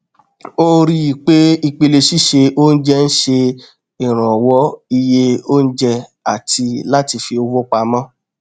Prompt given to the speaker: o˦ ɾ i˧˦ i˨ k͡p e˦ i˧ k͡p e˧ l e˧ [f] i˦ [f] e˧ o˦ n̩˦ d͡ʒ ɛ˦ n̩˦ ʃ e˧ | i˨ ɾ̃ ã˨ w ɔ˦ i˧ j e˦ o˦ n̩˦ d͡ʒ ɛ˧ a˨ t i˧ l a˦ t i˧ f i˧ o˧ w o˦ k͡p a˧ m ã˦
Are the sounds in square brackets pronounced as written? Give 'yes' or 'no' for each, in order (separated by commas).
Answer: no, no